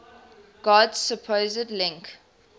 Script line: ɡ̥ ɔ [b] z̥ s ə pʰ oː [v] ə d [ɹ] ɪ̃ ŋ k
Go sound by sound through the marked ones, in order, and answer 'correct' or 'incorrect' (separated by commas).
incorrect, incorrect, incorrect